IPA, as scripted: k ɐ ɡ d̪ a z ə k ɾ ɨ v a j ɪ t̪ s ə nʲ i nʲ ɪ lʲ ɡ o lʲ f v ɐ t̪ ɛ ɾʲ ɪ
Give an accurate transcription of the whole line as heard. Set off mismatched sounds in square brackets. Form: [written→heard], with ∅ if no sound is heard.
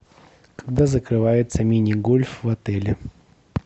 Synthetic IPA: k ɐ ɡ d̪ a z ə k ɾ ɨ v a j ɪ t̪ s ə [nʲ→mʲ] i nʲ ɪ [lʲ→∅] ɡ o lʲ f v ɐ t̪ ɛ [ɾʲ→lʲ] ɪ